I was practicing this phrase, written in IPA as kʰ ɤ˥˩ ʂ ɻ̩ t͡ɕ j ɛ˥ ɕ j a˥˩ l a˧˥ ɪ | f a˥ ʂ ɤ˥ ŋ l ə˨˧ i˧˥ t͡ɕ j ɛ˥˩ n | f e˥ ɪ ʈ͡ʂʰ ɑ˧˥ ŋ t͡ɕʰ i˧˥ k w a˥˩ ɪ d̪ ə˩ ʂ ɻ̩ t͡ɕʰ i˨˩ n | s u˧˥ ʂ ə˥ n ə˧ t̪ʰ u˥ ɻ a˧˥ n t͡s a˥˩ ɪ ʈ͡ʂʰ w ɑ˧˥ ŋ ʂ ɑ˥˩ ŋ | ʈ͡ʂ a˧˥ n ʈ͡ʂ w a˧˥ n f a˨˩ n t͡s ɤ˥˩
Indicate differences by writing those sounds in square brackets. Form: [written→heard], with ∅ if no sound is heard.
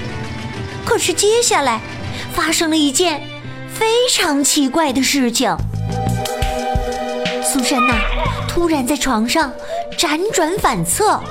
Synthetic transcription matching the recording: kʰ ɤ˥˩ ʂ ɻ̩ t͡ɕ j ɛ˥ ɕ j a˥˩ l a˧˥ ɪ | f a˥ ʂ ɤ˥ ŋ l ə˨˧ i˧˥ t͡ɕ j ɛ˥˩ n | f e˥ ɪ ʈ͡ʂʰ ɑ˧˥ ŋ t͡ɕʰ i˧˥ k w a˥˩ ɪ d̪ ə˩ ʂ ɻ̩ t͡ɕʰ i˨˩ [n→ŋ] | s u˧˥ ʂ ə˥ n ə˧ t̪ʰ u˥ ɻ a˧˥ n t͡s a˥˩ ɪ ʈ͡ʂʰ w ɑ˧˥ ŋ ʂ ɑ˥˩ ŋ | ʈ͡ʂ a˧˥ n ʈ͡ʂ w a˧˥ n f a˨˩ n [t͡s→t͡sʰ] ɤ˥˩